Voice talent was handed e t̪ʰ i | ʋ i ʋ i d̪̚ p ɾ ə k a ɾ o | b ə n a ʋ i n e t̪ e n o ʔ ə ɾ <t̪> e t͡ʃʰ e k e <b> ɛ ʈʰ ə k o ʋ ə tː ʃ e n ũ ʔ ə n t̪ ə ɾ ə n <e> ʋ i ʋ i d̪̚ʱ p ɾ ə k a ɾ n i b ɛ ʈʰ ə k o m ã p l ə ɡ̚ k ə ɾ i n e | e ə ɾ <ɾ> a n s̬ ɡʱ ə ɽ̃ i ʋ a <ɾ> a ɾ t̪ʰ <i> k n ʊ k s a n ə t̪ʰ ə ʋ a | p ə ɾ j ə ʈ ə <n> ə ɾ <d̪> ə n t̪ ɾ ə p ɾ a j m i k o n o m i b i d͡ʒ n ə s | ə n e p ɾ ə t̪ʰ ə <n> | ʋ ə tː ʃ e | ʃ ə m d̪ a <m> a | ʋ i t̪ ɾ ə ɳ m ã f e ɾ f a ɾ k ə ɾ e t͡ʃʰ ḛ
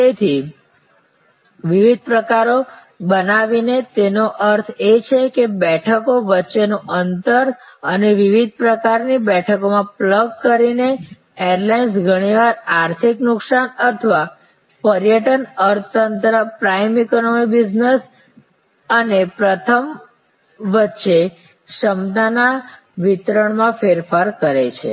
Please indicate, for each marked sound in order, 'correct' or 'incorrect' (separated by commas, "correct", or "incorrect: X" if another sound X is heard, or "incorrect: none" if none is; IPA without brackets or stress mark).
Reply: incorrect: t̪ʰ, correct, correct, incorrect: l, correct, correct, correct, incorrect: t̪, incorrect: m, incorrect: n